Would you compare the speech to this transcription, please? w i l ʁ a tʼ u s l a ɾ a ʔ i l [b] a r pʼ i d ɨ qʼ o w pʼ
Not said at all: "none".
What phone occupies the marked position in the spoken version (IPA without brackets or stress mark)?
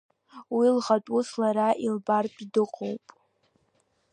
b